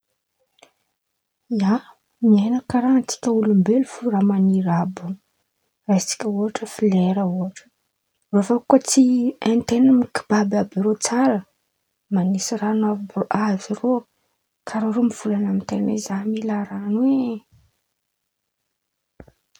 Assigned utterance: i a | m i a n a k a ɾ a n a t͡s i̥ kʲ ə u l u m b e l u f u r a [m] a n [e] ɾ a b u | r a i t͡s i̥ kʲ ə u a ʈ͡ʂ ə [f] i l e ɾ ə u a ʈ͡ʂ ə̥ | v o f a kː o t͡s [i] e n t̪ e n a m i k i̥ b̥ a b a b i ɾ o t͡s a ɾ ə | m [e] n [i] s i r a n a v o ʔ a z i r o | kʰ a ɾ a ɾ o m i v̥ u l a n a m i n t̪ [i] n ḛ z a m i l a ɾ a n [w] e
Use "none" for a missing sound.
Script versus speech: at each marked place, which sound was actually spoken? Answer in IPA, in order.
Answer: m, i, f, i, a, i, e, w

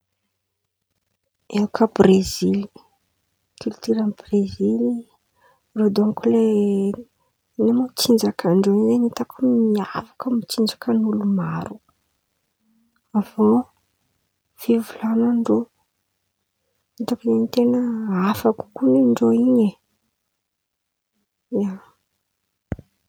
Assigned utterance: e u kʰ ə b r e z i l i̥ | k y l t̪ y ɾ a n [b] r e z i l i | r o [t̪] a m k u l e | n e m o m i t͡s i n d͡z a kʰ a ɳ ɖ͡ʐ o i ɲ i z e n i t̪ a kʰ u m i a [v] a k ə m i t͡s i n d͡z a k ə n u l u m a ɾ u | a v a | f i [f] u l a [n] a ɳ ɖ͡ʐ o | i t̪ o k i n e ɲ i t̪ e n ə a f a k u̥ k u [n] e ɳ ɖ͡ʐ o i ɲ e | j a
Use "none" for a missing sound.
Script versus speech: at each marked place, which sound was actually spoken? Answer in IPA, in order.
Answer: b, d̪, v, v, n, n

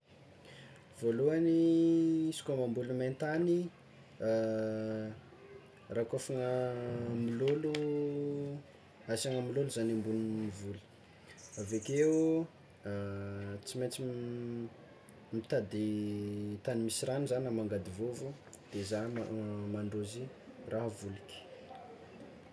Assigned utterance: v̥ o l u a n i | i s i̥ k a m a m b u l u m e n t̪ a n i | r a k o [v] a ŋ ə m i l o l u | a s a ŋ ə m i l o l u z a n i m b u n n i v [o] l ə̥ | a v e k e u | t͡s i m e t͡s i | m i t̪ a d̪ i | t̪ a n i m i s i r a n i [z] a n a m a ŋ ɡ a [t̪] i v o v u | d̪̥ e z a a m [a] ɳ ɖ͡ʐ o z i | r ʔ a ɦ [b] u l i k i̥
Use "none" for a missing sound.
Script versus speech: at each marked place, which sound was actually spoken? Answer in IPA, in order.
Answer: f, u, z, d̪, a, v

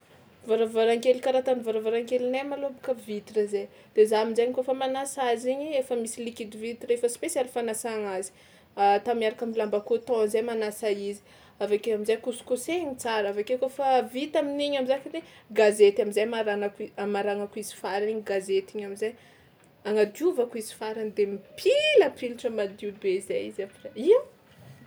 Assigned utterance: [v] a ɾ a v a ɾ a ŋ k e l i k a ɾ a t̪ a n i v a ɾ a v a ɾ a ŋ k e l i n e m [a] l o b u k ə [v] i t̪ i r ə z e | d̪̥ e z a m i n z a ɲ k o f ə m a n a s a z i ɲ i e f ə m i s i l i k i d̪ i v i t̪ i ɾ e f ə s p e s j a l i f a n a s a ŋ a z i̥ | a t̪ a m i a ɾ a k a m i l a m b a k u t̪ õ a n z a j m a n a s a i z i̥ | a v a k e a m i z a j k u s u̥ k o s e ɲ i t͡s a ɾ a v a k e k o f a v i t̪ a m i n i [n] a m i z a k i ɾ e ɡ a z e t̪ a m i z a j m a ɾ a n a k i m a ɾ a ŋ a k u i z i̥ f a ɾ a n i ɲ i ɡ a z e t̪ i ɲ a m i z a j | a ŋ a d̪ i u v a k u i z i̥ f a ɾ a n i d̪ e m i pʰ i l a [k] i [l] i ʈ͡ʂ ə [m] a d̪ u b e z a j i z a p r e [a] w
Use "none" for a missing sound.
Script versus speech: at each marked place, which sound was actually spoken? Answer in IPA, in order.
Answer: v, a, v, ɲ, p, l, m, i

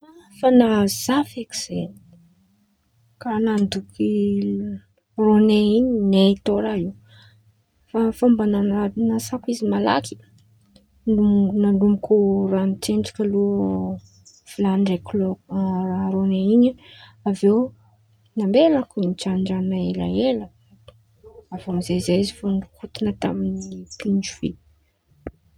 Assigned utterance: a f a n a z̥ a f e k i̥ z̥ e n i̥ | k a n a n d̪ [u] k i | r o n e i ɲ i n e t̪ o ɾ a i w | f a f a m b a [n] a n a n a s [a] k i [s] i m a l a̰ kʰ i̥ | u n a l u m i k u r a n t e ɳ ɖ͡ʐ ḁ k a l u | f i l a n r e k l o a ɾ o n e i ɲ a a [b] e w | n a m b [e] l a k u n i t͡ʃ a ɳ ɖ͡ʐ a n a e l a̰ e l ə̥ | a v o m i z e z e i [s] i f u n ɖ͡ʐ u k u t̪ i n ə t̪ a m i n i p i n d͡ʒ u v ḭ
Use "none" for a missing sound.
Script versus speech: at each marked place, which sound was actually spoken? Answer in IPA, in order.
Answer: u, n, a, z, v, e, z

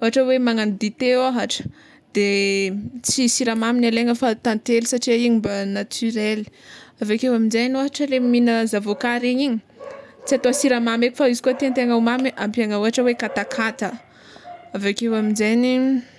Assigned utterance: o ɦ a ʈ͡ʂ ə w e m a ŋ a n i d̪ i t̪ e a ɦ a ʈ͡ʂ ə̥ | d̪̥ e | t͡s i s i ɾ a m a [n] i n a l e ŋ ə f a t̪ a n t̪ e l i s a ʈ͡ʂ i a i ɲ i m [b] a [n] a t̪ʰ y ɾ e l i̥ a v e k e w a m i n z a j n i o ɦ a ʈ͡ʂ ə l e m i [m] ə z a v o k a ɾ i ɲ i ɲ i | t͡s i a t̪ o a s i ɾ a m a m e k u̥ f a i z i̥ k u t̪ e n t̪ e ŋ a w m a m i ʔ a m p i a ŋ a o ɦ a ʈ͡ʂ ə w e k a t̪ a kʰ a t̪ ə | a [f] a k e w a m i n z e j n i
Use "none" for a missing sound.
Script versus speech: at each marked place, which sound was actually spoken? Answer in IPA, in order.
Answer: m, b, n, n, v

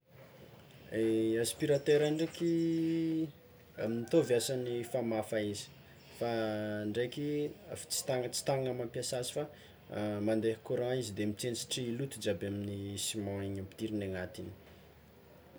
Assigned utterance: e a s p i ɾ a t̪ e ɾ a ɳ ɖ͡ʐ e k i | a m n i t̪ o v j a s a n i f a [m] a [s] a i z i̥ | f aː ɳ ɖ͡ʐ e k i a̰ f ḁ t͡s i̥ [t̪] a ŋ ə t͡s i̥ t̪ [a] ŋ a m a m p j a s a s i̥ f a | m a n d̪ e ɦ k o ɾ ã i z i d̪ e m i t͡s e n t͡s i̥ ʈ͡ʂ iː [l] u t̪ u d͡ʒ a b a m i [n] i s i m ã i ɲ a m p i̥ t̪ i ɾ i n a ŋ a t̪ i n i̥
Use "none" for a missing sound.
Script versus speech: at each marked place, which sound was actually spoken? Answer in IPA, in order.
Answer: m, f, t̪, a, l, n

